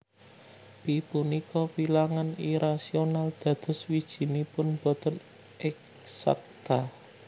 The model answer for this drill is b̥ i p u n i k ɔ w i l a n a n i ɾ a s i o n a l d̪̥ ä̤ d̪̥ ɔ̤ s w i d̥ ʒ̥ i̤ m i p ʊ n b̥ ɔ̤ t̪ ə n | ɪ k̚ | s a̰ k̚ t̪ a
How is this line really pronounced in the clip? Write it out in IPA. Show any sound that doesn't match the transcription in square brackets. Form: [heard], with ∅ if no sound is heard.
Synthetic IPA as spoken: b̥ i p u n i k ɔ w i l a [ŋ] a n i ɾ a s i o n a l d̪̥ ä̤ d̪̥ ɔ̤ s w i d̥ ʒ̥ i̤ [n] i p ʊ n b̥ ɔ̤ t̪ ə n | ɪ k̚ | s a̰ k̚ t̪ a